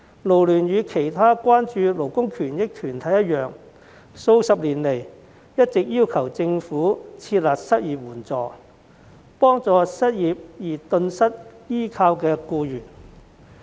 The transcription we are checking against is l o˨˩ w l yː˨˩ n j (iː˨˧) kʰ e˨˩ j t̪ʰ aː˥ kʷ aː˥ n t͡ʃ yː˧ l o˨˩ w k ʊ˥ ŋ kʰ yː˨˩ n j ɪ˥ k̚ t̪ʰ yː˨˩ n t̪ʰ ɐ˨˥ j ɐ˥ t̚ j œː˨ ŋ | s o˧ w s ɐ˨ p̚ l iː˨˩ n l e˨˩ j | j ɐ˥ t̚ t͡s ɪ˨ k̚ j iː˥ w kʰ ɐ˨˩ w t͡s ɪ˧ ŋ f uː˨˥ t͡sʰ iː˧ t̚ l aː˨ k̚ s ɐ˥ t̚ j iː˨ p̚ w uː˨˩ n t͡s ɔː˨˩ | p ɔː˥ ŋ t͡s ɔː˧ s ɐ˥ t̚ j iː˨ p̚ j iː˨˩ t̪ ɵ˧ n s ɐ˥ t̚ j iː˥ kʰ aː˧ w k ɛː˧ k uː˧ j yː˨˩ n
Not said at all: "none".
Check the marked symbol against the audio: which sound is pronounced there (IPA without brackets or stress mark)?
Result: yː˨˧